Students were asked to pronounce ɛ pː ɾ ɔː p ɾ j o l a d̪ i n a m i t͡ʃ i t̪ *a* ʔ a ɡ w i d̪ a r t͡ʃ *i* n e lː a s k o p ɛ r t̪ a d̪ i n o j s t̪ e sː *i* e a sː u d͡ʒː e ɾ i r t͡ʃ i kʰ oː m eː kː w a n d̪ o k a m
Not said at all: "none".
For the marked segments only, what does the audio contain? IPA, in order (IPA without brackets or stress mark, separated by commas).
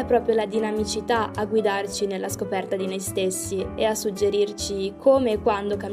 a, i, i